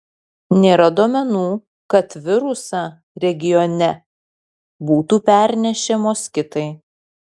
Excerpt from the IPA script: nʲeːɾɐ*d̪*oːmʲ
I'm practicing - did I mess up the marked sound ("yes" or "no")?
no